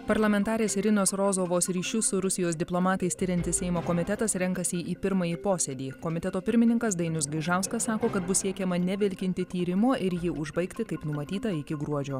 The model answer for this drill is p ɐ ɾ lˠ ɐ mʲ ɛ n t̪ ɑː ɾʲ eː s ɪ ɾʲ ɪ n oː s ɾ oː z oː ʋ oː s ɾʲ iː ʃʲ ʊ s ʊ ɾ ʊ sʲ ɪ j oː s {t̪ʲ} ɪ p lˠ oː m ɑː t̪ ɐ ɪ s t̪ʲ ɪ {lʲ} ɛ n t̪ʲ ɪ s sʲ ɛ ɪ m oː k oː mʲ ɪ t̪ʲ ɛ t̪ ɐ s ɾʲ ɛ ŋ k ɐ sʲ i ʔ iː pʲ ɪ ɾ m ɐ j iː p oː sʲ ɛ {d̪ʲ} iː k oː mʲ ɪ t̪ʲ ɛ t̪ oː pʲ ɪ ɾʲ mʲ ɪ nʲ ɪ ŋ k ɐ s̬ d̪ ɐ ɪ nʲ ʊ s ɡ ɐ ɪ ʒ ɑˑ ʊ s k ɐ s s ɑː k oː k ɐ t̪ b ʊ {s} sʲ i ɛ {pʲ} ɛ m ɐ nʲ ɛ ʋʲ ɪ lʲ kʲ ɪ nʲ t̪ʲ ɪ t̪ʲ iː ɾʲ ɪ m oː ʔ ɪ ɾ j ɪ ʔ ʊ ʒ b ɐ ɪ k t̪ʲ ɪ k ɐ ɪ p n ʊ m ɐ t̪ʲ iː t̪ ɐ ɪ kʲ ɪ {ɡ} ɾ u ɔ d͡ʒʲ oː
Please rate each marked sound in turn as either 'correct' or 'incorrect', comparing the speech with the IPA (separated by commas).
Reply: incorrect, incorrect, correct, correct, incorrect, correct